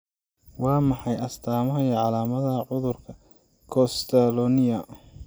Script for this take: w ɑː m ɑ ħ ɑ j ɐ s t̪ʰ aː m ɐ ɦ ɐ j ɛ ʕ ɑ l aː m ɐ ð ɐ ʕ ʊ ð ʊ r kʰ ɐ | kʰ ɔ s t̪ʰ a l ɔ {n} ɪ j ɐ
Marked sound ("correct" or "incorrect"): correct